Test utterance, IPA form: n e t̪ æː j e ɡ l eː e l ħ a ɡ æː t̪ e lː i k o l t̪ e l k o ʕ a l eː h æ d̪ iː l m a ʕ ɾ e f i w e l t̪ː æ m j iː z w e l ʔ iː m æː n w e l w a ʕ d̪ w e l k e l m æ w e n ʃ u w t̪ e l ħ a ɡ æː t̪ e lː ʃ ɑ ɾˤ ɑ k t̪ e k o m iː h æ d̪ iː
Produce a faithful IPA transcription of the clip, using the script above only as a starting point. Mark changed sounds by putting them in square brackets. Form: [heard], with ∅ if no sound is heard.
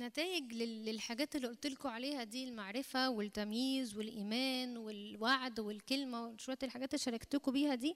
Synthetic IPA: n [æ] t̪ æː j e ɡ l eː e l ħ a ɡ æː t̪ e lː i [ʔ] o l t̪ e l k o ʕ a l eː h æ d̪ iː l m a ʕ ɾ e f [æ] w e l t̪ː æ m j iː z w e l ʔ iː m æː n w e l w a ʕ d̪ w e l k e l m æ w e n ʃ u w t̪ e l ħ a ɡ æː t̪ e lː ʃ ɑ ɾˤ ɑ k t̪ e k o [b] iː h æ d̪ iː